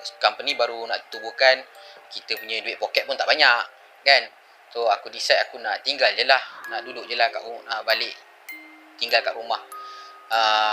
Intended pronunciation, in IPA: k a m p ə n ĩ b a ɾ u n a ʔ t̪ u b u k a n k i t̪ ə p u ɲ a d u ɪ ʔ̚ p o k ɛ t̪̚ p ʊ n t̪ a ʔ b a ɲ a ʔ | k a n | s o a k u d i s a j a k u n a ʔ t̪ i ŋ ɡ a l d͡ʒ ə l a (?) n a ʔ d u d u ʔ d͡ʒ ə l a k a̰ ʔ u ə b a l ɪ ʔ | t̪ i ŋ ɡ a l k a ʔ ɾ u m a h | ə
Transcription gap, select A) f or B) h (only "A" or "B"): B